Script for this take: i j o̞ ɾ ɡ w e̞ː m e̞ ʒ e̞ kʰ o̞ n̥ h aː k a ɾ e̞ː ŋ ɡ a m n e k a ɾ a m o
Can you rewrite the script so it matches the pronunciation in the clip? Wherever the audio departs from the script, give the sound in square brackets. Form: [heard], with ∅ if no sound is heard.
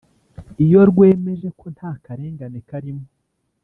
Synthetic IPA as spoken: i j o̞ ɾ ɡ w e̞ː m e̞ ʒ e̞ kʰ o̞ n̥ h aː k a ɾ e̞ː ŋ ɡ a [∅] n e k a ɾ [i] m o